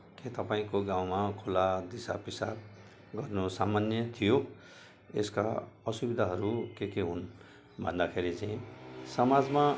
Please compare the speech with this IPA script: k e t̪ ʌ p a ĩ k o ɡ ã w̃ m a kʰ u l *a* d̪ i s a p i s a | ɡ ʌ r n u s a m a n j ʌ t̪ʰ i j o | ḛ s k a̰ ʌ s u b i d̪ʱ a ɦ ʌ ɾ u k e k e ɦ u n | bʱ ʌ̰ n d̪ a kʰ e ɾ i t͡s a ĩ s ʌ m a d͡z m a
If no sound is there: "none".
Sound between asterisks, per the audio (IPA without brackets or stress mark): a